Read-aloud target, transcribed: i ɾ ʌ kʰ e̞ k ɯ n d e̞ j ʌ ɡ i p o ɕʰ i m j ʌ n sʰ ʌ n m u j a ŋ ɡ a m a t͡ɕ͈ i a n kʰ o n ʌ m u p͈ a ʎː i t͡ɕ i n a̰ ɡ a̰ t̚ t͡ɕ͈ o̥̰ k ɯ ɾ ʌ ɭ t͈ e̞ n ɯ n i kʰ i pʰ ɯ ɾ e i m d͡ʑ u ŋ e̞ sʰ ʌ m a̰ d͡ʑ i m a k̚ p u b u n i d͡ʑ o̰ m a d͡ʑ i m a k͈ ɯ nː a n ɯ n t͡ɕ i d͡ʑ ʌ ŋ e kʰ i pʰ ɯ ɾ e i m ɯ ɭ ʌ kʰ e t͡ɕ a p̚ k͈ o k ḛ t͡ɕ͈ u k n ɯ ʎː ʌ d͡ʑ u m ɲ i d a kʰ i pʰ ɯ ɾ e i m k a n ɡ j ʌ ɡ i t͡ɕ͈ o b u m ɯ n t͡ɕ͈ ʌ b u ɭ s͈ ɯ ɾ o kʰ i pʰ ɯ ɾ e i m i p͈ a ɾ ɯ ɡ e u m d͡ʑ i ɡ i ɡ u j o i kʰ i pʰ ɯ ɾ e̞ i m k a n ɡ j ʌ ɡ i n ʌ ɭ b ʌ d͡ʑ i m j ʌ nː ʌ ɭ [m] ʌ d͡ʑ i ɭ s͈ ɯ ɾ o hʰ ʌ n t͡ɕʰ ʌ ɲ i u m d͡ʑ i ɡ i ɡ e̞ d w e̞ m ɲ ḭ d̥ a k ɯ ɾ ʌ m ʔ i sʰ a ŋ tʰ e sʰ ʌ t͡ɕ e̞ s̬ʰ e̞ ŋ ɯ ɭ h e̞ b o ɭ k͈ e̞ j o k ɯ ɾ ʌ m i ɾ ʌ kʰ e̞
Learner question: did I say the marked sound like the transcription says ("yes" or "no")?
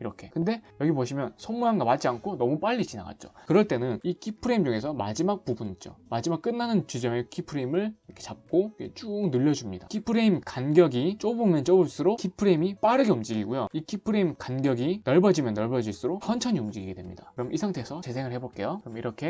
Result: no